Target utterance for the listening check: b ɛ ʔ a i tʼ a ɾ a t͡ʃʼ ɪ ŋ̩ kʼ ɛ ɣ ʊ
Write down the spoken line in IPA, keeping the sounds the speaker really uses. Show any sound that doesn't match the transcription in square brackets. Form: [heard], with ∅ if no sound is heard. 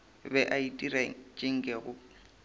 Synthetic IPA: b ɛ ʔ a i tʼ [i] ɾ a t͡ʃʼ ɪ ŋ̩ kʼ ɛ ɣ ʊ